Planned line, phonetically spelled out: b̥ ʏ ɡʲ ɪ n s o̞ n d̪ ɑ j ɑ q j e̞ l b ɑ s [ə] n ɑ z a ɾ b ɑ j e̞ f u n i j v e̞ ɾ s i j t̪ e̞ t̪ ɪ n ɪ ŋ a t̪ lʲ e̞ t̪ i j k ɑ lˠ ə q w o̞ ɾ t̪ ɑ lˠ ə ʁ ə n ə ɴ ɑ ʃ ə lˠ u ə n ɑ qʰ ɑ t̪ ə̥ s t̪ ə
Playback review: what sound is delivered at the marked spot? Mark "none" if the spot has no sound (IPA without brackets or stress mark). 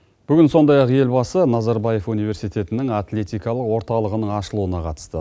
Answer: ə